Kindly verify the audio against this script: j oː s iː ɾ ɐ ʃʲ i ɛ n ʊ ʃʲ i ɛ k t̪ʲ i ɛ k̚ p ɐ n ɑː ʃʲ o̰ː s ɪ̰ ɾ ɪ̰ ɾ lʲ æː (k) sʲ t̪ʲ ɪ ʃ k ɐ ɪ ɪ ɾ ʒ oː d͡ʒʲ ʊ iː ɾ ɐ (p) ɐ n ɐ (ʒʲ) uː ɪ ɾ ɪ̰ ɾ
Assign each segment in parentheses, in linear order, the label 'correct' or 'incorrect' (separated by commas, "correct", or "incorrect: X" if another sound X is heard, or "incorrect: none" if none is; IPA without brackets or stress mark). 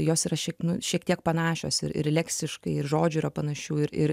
correct, correct, incorrect: ʃʲ